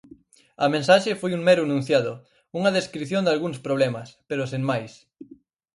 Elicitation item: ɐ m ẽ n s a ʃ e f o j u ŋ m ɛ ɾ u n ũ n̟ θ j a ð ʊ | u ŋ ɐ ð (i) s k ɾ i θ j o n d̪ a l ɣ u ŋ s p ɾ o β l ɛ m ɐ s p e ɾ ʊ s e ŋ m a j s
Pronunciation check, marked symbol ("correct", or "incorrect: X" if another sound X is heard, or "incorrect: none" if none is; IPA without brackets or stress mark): incorrect: e